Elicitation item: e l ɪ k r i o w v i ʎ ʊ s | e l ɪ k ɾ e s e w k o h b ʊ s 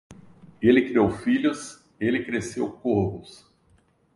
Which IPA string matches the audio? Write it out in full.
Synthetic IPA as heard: e l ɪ k ɾ i o w f i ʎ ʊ s | e l ɪ k ɾ e s e w k o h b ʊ s